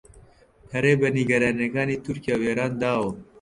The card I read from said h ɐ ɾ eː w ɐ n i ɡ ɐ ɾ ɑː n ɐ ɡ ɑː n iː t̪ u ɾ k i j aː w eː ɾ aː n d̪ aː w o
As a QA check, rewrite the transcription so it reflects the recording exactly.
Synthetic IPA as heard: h ɐ ɾ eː b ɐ n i ɡ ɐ ɾ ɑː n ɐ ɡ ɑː n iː t̪ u ɾ k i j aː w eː ɾ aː n d̪ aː w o

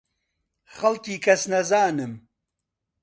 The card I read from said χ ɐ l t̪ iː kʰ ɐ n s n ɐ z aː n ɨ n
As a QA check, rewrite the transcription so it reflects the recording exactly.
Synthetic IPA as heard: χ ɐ l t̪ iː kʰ ɐ s n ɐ z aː n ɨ m

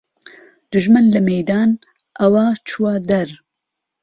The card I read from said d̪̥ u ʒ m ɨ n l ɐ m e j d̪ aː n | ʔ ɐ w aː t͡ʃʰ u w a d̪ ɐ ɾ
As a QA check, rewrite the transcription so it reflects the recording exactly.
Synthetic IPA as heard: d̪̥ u ʒ m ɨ n l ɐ m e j d̪ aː n | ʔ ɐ w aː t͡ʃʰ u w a d̪ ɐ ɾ

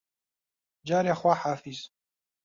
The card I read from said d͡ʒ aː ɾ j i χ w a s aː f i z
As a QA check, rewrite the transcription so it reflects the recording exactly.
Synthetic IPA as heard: d͡ʒ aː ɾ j a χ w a ħ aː f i z

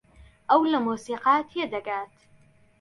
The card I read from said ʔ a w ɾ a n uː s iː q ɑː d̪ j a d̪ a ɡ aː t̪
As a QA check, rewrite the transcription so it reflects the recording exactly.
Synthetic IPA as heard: ʔ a w l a m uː s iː q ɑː t̪ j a d̪ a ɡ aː t̪

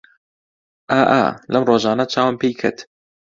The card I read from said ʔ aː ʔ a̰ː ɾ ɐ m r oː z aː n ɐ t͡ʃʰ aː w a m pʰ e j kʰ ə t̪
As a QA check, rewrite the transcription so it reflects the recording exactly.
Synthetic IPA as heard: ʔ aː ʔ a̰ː l ɐ m r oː ʒ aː n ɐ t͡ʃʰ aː w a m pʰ e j kʰ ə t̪

